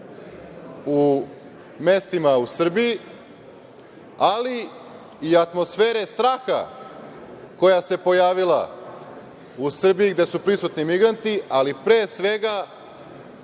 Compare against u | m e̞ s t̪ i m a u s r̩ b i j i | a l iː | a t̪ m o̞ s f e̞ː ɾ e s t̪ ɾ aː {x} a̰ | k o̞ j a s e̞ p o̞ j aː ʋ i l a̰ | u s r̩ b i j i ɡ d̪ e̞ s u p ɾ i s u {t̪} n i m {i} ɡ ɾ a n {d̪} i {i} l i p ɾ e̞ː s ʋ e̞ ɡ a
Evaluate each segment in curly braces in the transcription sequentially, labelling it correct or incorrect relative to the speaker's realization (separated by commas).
correct, correct, correct, incorrect, incorrect